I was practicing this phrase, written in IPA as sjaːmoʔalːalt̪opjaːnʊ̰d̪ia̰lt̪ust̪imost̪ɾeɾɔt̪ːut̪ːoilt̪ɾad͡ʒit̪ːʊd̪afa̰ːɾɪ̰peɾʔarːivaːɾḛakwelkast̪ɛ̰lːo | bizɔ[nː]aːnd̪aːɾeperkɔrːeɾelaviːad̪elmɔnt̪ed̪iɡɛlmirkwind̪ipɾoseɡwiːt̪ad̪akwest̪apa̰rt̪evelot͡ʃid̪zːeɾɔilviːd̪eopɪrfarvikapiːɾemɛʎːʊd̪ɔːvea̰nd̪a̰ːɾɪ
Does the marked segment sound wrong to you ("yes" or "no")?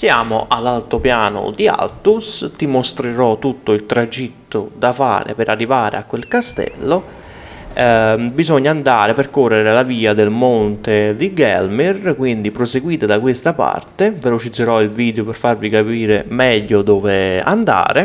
yes